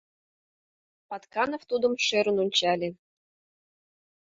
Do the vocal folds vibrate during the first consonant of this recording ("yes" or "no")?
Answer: no